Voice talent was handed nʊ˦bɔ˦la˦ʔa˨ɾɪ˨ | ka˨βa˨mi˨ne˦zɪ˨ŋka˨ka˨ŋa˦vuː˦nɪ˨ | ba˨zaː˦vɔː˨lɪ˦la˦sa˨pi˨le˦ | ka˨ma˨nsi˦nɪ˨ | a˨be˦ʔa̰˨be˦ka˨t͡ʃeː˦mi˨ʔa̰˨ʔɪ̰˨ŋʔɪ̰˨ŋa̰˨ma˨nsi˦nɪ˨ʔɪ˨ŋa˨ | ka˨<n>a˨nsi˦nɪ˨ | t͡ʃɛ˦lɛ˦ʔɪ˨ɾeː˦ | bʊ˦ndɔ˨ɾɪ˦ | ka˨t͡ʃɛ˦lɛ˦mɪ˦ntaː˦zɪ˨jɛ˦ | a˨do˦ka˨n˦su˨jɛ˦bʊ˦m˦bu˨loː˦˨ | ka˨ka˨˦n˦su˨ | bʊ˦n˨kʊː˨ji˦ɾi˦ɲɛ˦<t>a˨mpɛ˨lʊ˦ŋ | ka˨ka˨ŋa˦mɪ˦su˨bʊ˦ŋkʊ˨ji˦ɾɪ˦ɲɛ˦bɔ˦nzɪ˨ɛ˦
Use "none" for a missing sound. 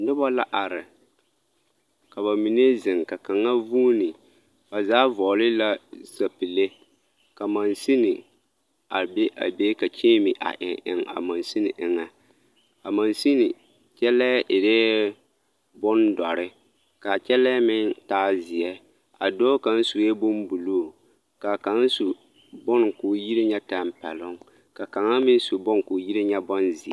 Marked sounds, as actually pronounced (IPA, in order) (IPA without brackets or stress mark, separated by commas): m, t